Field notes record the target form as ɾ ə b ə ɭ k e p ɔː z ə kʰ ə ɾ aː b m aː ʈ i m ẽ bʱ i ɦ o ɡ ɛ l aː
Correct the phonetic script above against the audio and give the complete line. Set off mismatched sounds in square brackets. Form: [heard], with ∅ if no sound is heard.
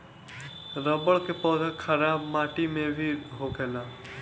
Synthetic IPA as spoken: ɾ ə b ə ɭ k e p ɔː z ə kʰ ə ɾ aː b m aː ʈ i m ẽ bʱ i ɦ o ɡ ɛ l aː